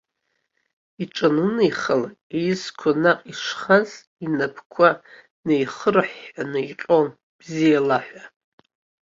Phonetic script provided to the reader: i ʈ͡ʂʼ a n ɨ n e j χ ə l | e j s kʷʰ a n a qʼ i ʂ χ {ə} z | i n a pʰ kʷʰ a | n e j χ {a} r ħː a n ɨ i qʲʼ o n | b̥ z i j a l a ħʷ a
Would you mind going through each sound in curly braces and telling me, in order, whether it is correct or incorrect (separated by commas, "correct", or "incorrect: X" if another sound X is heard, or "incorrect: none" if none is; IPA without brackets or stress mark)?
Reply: incorrect: a, incorrect: ə